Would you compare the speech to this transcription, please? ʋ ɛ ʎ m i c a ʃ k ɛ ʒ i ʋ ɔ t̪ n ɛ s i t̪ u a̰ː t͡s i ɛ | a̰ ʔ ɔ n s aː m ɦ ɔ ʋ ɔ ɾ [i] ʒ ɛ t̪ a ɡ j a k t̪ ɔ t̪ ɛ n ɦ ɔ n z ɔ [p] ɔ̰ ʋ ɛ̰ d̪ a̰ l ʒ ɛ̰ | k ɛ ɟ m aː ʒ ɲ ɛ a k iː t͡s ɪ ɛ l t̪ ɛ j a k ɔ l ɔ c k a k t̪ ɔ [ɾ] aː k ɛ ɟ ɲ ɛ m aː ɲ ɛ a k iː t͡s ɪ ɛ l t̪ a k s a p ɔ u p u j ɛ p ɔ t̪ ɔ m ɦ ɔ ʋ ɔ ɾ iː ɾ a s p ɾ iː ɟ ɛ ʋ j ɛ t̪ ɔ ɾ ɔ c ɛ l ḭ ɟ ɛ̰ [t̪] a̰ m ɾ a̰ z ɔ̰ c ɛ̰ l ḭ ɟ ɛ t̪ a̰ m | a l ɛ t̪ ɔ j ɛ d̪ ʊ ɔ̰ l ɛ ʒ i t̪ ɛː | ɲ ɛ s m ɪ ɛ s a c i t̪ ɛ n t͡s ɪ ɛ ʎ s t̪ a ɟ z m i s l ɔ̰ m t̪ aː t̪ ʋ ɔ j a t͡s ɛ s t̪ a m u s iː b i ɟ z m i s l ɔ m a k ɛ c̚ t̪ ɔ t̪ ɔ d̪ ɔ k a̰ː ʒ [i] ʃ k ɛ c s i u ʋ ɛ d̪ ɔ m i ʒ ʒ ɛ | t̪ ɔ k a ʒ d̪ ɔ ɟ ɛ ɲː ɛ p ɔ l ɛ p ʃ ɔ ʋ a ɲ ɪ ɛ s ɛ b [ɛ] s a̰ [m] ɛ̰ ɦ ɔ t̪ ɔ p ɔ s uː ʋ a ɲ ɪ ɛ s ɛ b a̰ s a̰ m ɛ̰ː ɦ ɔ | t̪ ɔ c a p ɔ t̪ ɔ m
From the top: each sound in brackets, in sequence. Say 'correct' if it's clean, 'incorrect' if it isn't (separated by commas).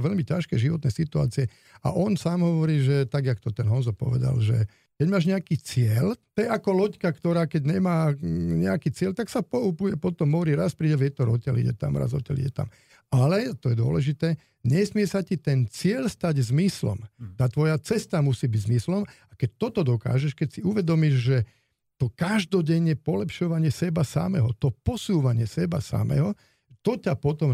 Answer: incorrect, correct, correct, correct, incorrect, incorrect, correct